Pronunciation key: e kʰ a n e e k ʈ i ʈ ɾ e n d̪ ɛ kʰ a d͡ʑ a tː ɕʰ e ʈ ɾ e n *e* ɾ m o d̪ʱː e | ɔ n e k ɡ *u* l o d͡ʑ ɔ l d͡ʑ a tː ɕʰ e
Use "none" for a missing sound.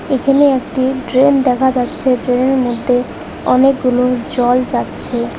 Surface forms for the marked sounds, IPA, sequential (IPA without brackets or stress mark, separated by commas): e, u